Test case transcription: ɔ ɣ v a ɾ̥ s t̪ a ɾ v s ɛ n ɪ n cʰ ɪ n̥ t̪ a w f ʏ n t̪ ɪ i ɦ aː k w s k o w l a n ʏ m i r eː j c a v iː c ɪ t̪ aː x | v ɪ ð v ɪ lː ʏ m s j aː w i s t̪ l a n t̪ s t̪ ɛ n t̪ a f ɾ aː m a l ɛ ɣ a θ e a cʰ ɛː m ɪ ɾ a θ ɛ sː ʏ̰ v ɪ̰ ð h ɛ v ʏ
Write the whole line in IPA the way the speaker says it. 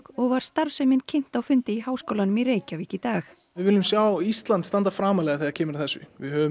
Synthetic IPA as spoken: ɔ ɣ v a ɾ̥ s t̪ a ɾ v s ɛ m ɪ n cʰ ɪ n̥ t̪ a w f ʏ n t̪ ɪ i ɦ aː w s k o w l a n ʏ m i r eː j c a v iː c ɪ t̪ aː x | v ɪ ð v ɪ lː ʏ m s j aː w i s t̪ l a n t̪ s t̪ a n t̪ a f ɾ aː m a l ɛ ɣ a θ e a cʰ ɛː m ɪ ɾ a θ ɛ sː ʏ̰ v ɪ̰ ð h œ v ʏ